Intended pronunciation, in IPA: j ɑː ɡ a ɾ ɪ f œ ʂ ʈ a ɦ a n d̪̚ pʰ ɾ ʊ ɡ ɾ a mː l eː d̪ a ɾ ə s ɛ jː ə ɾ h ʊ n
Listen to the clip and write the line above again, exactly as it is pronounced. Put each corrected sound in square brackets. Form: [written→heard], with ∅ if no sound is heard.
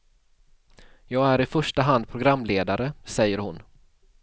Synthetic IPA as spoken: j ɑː ɡ [a→æ] ɾ ɪ f œ ʂ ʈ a ɦ a n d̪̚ pʰ ɾ ʊ ɡ ɾ a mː l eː d̪ a ɾ ə s ɛ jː ə ɾ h ʊ n